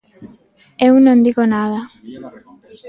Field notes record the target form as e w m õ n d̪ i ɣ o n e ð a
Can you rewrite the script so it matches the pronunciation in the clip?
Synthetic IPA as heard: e w n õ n d̪ i ɣ o n a ð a